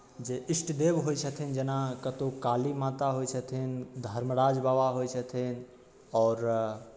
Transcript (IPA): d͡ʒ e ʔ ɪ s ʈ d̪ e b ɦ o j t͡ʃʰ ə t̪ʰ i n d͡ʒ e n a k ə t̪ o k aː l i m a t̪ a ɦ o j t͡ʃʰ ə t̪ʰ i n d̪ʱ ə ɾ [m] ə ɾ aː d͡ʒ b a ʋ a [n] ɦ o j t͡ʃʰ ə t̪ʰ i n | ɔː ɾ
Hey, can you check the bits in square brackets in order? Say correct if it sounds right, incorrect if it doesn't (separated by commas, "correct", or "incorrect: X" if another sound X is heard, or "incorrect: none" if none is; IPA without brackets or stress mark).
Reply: correct, incorrect: none